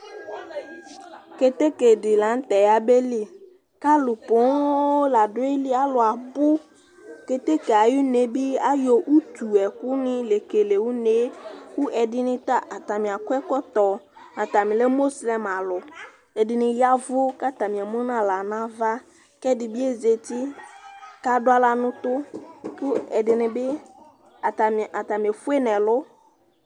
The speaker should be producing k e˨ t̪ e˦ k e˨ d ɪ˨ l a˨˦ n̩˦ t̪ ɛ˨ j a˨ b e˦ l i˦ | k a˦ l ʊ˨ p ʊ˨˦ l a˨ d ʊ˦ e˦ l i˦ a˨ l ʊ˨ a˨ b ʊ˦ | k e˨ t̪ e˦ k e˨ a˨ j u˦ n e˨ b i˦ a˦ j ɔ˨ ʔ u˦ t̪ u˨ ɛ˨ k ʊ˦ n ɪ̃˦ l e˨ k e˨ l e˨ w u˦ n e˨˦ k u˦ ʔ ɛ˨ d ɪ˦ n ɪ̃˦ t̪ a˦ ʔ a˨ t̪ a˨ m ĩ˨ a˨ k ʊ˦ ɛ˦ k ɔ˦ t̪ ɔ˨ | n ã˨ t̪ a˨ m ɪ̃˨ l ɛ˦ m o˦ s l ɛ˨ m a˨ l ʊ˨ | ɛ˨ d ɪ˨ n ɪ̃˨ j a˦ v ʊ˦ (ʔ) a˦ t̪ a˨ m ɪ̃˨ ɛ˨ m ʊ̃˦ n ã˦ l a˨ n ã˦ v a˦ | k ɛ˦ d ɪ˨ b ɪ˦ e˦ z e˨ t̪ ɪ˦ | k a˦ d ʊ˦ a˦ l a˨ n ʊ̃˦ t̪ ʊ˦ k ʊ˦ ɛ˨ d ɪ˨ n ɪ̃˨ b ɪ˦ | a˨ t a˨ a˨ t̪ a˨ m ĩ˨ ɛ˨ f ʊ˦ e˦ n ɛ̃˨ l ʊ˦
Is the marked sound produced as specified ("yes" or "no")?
no